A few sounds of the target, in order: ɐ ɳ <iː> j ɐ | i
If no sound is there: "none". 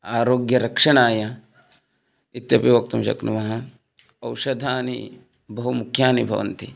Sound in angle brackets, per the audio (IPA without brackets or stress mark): aː